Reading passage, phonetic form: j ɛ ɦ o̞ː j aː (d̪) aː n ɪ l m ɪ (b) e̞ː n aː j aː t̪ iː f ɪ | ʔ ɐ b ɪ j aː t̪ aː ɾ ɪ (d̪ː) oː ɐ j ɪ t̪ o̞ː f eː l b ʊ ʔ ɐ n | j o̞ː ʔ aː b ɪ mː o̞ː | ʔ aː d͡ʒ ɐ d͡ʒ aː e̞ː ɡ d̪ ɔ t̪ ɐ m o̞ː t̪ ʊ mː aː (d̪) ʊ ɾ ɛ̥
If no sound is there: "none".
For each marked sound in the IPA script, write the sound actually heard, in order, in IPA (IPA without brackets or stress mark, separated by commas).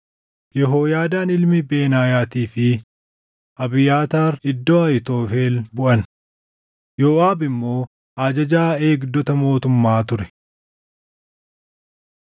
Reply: d̪, b, d̪ː, t̪